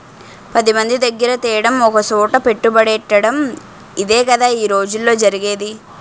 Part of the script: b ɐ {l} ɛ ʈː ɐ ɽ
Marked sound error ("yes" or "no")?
yes